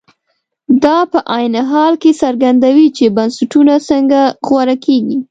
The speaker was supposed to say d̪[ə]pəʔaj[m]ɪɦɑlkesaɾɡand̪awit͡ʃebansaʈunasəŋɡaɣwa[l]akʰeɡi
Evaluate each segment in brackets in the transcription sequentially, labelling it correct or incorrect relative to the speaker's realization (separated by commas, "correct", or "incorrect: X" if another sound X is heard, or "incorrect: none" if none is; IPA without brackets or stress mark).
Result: incorrect: ɑ, incorrect: n, incorrect: ɾ